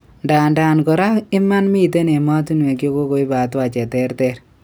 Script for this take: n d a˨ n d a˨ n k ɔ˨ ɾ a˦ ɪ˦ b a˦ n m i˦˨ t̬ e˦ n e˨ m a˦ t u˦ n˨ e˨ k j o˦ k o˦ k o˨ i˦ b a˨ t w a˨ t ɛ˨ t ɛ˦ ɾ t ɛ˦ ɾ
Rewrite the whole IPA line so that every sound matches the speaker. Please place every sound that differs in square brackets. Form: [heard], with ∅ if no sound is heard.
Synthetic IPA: n d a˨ n d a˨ n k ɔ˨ ɾ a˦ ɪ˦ [m] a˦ n m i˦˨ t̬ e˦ n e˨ m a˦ t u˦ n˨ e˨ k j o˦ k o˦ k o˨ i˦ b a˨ t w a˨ [t͡ʃ] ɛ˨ t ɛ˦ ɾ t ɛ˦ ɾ